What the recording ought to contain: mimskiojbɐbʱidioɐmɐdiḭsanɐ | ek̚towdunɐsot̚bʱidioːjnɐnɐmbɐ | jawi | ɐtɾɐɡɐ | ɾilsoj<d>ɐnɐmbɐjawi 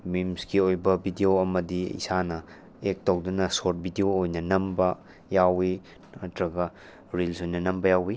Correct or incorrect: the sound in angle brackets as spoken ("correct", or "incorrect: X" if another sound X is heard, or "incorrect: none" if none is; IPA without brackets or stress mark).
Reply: incorrect: n